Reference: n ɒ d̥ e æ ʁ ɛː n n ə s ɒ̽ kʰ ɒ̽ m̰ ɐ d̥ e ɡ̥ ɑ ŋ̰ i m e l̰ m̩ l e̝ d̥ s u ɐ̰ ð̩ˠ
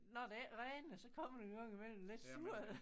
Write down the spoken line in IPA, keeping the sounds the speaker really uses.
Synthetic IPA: n ɒ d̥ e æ ʁ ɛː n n ə s ɒ̽ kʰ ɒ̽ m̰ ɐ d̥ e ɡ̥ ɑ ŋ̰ i m e l̰ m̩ l e̝ d̥ s u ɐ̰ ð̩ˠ